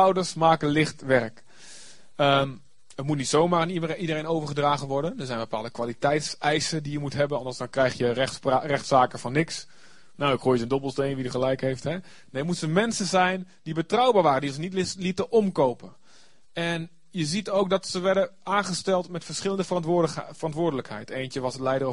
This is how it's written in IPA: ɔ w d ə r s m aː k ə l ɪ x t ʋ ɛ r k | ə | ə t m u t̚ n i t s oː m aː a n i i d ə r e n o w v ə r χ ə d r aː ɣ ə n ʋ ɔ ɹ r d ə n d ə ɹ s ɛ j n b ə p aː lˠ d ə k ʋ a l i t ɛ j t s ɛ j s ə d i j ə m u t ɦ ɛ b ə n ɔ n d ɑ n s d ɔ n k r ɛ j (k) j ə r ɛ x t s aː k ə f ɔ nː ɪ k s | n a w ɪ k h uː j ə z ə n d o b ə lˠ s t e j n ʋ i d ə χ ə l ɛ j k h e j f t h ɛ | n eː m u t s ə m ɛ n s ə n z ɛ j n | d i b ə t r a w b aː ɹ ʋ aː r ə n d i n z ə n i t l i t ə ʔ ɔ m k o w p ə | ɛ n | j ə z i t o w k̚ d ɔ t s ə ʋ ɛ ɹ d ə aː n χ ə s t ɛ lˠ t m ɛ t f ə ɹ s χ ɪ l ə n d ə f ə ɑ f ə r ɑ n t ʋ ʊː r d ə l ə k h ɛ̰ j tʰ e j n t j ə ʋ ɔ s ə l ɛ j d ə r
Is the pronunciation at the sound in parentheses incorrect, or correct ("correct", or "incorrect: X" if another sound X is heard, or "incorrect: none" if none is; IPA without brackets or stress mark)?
incorrect: x